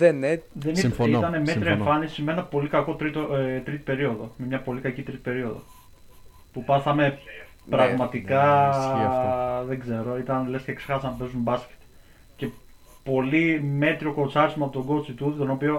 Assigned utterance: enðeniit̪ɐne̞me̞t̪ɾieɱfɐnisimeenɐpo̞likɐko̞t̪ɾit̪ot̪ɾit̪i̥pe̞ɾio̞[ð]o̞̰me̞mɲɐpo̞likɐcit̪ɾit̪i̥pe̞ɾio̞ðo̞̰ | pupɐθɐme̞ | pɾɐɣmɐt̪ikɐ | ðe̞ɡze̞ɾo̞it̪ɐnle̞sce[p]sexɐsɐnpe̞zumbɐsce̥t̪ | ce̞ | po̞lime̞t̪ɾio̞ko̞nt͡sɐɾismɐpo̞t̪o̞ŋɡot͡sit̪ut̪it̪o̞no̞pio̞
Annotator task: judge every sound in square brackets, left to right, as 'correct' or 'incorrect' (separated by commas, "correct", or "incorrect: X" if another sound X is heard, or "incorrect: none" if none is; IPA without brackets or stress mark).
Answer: correct, incorrect: k